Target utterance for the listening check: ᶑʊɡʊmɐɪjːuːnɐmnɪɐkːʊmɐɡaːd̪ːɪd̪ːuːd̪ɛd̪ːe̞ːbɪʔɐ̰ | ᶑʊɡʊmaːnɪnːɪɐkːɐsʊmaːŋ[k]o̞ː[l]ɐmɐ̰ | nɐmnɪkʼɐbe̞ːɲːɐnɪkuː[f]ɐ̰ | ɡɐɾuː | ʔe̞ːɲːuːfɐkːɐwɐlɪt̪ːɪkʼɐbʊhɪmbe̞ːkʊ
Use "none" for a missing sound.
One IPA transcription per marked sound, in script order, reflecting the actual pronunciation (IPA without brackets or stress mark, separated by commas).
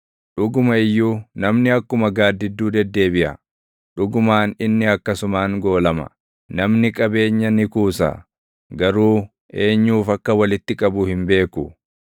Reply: ɡ, l, s